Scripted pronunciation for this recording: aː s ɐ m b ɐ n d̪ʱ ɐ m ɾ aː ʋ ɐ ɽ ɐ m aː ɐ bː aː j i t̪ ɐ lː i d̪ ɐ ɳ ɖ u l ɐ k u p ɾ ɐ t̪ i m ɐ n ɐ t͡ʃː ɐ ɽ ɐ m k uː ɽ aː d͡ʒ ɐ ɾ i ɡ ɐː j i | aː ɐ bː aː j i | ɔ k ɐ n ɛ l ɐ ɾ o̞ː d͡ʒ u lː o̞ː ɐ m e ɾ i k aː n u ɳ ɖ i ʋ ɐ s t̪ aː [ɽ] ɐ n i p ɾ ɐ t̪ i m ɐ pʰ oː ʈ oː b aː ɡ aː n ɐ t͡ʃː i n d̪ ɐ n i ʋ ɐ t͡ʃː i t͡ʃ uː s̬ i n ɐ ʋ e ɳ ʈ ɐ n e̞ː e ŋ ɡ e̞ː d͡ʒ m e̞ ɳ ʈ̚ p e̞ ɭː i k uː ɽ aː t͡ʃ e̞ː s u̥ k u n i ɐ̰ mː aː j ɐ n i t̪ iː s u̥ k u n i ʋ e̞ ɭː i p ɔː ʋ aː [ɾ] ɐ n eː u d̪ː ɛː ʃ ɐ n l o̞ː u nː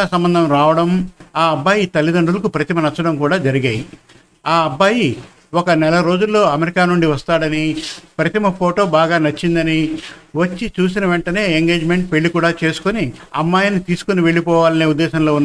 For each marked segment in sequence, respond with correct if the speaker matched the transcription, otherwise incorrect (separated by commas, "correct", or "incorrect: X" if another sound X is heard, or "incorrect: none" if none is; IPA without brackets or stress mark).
correct, incorrect: l